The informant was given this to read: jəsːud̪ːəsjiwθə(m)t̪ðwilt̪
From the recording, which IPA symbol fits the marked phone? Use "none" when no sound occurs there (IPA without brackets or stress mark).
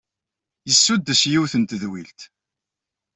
n